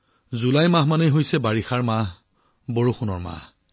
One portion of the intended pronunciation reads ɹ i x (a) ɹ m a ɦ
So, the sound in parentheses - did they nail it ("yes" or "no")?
yes